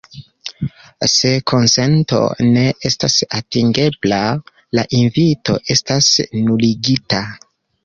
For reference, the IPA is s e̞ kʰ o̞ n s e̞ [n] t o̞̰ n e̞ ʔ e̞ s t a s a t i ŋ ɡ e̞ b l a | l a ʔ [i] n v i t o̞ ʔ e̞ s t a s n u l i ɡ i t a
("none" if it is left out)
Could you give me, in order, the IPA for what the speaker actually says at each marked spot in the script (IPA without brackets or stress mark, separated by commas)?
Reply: n, i